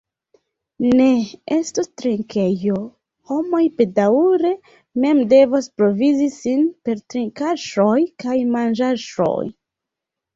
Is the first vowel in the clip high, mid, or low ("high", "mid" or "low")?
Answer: mid